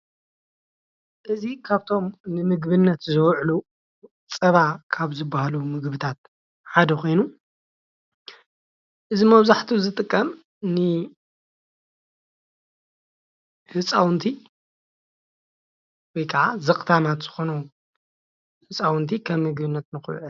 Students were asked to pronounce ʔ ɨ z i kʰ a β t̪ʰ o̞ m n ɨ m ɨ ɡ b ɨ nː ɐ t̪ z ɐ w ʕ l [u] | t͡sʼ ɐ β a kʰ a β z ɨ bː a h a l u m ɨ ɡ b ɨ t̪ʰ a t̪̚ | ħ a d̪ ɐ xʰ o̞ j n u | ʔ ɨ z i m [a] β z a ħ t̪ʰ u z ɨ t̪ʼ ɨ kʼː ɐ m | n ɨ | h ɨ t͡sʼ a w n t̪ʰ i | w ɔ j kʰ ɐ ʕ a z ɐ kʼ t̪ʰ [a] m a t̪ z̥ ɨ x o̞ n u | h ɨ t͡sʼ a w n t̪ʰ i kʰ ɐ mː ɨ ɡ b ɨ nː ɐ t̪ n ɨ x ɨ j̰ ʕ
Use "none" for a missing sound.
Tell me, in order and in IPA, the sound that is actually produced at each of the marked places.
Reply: u, ɐ, a

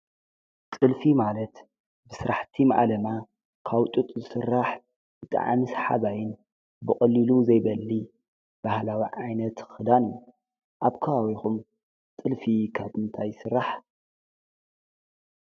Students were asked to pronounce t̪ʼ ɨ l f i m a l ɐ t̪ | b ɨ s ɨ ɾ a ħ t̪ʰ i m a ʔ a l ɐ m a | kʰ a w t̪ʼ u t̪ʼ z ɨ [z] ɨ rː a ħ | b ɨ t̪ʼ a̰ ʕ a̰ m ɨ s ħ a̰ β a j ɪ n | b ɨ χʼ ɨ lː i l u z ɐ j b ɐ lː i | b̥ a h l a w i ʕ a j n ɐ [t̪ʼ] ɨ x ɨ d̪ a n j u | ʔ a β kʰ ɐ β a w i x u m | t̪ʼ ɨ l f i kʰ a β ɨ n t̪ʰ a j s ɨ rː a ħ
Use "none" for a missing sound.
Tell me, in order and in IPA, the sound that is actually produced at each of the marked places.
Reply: s, t̪

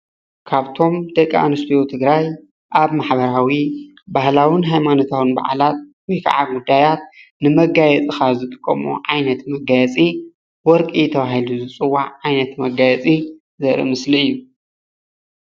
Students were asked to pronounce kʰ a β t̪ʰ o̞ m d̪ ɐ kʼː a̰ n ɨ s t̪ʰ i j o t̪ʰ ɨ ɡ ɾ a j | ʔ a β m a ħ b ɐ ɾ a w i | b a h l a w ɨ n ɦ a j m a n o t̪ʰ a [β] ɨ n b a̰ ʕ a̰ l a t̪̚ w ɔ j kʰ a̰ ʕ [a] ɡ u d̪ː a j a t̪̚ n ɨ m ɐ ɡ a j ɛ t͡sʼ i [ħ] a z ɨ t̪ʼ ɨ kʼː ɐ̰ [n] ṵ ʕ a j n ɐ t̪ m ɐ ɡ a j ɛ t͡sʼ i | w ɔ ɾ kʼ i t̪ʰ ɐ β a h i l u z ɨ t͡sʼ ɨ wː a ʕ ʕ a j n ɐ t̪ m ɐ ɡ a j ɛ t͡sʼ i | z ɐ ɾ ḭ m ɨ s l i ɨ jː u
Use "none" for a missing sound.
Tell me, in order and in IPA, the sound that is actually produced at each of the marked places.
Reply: w, a, x, m

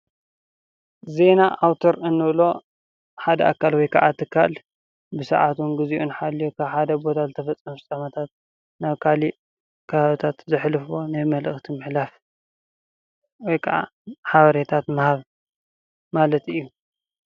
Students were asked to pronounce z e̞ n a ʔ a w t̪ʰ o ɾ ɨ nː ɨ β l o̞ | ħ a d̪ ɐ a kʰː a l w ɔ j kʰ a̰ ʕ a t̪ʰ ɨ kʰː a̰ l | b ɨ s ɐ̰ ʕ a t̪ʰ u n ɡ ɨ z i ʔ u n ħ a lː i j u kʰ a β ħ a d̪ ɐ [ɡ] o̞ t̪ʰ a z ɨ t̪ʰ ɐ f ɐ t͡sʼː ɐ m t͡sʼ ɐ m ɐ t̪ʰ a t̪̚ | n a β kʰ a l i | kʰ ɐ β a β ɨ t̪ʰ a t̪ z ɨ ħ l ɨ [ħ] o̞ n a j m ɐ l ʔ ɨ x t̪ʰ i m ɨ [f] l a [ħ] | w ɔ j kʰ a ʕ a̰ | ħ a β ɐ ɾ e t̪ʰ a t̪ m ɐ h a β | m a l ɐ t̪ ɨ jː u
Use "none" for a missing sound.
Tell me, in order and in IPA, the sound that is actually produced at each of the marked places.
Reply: b, f, ħ, f

